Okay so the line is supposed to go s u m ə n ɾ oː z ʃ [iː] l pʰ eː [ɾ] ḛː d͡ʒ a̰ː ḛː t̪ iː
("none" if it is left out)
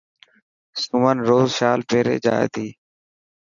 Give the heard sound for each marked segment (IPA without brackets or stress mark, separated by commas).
aː, ɾ